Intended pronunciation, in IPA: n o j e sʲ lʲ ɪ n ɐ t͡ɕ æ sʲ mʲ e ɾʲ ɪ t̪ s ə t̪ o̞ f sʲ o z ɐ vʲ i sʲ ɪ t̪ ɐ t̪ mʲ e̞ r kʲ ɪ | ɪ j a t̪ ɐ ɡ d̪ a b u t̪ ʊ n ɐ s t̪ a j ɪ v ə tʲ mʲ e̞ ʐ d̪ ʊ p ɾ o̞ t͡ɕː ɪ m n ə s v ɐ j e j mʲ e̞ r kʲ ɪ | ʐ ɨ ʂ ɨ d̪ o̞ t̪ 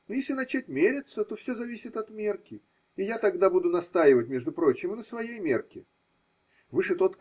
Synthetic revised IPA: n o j e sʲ lʲ ɪ n ɐ t͡ɕ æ tʲ mʲ e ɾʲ ɪ t̪ s ə t̪ o̞ f sʲ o z ɐ vʲ i sʲ ɪ t̪ ɐ t̪ mʲ e̞ r kʲ ɪ | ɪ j a t̪ ɐ ɡ d̪ a b u d̪ ʊ n ɐ s t̪ a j ɪ v ə tʲ mʲ e̞ ʐ d̪ ʊ p ɾ o̞ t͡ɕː ɪ m n ə s v ɐ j e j mʲ e̞ r kʲ ɪ | v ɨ ʂ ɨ t̪ o̞ t̪

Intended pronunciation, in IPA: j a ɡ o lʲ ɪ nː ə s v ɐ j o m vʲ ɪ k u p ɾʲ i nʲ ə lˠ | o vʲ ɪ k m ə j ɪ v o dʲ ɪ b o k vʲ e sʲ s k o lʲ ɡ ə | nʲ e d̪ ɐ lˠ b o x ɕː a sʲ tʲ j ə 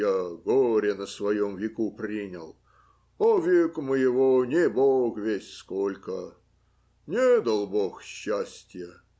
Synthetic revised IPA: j a ɡ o ɾʲ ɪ n ə s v ɐ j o m vʲ ɪ k u p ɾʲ i nʲ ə lˠ | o vʲ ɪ k m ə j ɪ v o nʲ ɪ b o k vʲ e sʲ s k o lʲ k ə | nʲ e d̪ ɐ lˠ b o x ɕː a sʲ tʲ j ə

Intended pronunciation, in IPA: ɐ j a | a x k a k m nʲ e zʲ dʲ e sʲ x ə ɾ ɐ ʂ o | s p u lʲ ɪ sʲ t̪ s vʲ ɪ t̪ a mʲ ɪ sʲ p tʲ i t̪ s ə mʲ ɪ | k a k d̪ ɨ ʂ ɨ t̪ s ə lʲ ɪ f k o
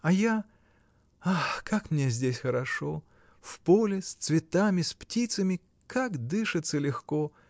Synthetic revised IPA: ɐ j a | a x k a k m nʲ e zʲ dʲ e sʲ x ə ɾ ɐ ʂ o | f p o lʲ ɪ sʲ t̪ s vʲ ɪ t̪ a mʲ ɪ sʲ p tʲ i t̪ s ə mʲ ɪ | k a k d̪ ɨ ʂ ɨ t̪ s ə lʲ ɪ x k o

